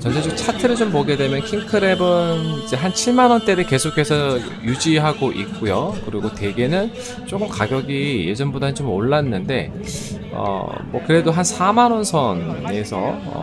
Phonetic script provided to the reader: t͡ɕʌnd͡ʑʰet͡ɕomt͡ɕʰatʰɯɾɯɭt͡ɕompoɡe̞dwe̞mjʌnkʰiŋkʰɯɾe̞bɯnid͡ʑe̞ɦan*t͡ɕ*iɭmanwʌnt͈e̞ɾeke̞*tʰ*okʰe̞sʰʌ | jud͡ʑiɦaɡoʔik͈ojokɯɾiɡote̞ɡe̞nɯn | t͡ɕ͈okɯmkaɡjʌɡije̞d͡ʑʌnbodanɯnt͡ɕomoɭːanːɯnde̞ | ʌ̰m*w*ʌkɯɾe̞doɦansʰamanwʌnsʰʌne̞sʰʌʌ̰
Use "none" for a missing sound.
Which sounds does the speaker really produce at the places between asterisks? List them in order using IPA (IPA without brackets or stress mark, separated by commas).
t͡ɕʰ, sʰ, w